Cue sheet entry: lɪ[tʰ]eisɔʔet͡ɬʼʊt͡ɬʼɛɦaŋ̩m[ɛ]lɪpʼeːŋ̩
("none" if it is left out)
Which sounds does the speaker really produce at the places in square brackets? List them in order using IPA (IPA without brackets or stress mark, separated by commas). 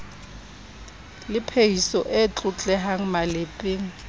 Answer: pʰ, a